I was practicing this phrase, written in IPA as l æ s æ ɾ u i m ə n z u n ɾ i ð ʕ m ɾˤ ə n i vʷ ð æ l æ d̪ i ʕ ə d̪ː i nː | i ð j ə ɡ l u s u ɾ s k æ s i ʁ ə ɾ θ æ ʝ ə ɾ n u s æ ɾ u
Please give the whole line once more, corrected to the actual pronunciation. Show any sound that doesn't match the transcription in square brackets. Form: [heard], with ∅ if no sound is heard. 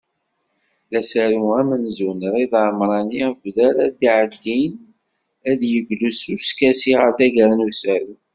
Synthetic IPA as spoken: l æ s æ ɾ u [æ] m ə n z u n ɾ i ð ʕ m ɾˤ [ɑ] n i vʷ ð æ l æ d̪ i ʕ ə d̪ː i [n] | [æ] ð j ə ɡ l u s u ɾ s k æ s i ʁ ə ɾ θ æ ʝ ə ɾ n u s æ ɾ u